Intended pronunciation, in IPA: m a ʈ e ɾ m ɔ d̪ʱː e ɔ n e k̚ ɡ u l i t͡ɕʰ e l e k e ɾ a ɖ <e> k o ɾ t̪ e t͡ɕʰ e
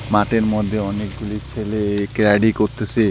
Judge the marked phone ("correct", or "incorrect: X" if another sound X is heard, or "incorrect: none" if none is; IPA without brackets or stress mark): incorrect: i